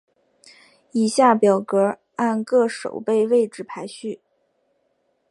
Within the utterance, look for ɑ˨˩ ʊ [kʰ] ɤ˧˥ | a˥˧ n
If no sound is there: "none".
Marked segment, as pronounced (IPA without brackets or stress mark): k